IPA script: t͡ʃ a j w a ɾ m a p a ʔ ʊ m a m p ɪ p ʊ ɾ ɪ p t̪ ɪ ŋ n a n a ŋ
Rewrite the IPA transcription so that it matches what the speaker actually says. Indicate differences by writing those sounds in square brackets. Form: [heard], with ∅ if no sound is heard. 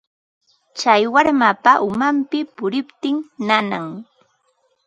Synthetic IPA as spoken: t͡ʃ a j w a ɾ m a p a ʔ ʊ m a m p ɪ p ʊ ɾ ɪ p t̪ ɪ ŋ n a n a ŋ